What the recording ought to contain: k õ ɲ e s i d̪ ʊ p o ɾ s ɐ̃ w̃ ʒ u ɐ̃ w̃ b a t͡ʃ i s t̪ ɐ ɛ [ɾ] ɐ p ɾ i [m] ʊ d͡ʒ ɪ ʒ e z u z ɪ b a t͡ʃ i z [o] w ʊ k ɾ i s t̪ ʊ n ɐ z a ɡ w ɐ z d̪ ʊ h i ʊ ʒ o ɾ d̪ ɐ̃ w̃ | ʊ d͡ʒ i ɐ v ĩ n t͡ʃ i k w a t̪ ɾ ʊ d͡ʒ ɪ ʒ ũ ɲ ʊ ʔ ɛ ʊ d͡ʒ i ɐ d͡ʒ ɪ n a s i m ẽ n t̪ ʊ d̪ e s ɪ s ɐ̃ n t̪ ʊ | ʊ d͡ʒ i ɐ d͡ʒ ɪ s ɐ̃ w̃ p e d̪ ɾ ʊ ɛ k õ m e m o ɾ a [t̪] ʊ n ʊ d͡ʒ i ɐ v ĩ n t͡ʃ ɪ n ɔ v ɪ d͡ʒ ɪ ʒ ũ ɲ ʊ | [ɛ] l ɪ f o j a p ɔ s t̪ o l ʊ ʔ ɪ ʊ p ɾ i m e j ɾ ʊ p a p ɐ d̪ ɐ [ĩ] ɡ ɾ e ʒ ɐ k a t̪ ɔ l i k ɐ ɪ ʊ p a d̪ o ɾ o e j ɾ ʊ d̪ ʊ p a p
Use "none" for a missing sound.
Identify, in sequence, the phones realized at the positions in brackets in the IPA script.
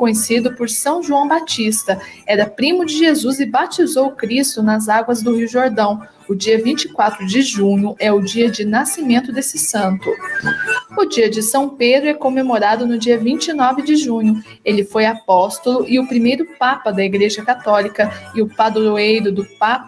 ɾ, m, o, d̪, e, i

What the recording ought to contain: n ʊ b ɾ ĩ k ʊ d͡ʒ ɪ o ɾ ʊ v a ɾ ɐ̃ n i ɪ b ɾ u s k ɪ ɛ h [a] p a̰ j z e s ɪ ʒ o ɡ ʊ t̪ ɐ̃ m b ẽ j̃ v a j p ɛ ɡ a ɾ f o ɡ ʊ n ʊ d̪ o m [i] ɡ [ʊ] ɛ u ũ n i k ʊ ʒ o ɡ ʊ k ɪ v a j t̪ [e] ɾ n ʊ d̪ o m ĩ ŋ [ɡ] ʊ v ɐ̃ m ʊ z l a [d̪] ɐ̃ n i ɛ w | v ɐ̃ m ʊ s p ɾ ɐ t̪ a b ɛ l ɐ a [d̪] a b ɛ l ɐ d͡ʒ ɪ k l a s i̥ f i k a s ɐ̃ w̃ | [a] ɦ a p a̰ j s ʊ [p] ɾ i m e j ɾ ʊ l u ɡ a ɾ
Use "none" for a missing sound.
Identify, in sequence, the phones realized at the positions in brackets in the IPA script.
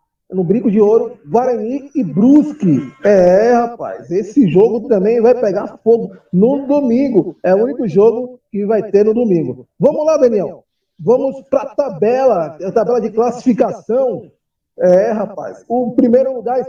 a, ĩ, ʊ, e, ɡ, d̪, t̪, ɛ, p

